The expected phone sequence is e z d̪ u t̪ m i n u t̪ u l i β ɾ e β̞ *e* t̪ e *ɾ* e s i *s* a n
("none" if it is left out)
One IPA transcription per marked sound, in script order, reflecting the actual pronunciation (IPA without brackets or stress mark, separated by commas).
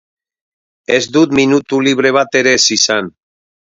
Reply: a, ɾ, s